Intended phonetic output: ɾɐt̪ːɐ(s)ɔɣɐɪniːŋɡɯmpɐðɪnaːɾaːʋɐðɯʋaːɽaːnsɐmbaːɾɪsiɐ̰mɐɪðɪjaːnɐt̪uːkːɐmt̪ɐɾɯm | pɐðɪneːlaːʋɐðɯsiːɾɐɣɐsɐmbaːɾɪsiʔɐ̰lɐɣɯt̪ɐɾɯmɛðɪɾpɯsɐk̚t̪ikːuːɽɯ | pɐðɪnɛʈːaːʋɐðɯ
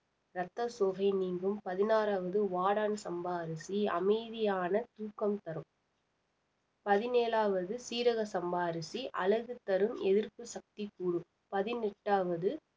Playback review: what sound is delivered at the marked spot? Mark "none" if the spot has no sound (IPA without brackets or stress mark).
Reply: s